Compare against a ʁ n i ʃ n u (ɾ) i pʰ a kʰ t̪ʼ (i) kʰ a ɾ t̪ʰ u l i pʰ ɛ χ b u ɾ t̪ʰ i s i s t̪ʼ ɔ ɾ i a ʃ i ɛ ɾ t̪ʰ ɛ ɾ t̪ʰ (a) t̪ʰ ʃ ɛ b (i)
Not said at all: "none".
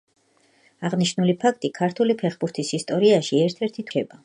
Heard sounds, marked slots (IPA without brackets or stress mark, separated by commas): l, i, i, a